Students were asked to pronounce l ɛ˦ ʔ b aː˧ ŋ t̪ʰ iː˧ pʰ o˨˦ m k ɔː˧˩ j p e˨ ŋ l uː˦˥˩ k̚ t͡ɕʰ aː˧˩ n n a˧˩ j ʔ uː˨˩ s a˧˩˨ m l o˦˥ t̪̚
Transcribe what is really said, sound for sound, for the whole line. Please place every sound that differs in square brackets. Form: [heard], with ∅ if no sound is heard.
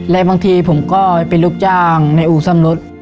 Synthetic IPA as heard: l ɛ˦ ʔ b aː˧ ŋ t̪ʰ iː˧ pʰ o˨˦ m k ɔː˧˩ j p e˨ [n] l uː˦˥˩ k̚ [t͡ɕ] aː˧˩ [ŋ] n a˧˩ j ʔ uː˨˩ s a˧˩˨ m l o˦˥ t̪̚